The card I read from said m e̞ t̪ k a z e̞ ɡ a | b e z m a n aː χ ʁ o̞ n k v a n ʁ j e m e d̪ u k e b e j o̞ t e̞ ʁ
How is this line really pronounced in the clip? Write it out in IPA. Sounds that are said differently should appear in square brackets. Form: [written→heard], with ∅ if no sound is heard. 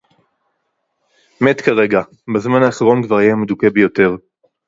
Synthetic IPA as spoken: m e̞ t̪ k a [z→ʁ] e̞ ɡ a | b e z m a n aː χ ʁ o̞ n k v a [n→∅] ʁ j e m e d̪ u k e b e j o̞ t e̞ ʁ